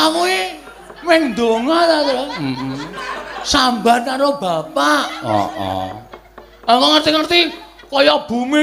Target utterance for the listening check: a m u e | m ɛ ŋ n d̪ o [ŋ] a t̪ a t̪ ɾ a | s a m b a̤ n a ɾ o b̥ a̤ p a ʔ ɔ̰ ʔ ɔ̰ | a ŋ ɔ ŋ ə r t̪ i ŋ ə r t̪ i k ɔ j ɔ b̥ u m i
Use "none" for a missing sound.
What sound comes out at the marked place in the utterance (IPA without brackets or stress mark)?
ŋ